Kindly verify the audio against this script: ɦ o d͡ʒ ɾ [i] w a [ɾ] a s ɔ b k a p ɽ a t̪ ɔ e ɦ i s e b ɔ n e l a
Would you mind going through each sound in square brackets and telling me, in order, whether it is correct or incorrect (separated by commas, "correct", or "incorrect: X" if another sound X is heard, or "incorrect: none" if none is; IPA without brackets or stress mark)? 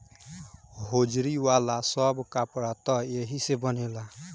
correct, incorrect: l